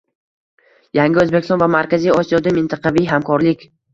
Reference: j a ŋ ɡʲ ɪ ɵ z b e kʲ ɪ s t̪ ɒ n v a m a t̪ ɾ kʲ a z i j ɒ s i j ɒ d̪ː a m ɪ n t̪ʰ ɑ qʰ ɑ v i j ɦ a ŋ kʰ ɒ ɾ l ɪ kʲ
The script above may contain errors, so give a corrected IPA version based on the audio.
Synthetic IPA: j a ŋ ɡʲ ɪ ɵ z b e kʲ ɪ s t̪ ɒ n v a m a ɾ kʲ a z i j ɒ s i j ɒ d̪ a m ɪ n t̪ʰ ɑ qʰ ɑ v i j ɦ a m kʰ ɒ ɾ l ɪ kʲ